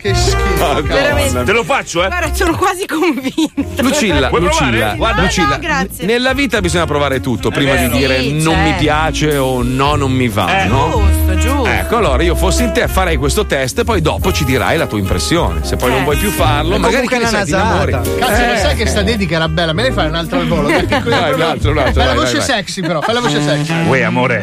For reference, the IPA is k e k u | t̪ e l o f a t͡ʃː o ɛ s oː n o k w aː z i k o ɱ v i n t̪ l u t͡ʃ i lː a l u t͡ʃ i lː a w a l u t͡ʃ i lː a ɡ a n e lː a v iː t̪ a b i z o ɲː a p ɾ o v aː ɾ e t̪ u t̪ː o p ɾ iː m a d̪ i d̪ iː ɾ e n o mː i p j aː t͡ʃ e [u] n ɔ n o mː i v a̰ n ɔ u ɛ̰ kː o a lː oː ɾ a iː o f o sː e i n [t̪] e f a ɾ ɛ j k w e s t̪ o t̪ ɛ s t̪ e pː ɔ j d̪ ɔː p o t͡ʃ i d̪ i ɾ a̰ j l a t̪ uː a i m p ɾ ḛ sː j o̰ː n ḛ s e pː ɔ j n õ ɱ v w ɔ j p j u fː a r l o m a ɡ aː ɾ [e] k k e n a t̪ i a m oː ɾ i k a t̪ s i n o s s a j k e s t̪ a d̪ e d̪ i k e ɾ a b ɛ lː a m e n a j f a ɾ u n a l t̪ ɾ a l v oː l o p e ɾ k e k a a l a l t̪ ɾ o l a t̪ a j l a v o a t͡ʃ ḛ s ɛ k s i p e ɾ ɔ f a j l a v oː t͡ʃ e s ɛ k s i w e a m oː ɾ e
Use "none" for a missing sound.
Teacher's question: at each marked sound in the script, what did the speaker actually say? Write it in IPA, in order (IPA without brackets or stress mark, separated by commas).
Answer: o, t̪, i